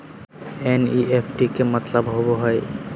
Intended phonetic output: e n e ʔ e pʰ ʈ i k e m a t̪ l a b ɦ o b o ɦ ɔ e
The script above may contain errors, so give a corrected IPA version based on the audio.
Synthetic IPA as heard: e n i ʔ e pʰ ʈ i k e m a t̪ l a b ɦ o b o ɦ ɔ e